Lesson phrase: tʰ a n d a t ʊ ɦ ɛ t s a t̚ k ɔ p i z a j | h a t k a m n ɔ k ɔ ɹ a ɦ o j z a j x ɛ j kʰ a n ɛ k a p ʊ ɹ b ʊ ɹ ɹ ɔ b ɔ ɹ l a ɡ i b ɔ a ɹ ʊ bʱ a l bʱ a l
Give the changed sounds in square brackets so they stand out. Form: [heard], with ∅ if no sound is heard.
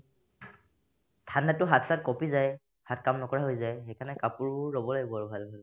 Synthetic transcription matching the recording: tʰ a n d a t ʊ ɦ [a] t s a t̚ k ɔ p i z a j | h a t k a m n ɔ k ɔ ɹ a ɦ o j z a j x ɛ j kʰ a n ɛ k a p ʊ ɹ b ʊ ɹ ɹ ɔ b ɔ [∅] l a ɡ i b ɔ a ɹ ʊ bʱ a l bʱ a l